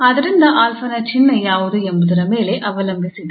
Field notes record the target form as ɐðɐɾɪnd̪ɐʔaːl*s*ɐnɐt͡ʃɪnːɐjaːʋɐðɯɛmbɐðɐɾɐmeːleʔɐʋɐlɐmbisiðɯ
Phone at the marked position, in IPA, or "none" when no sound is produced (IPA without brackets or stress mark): f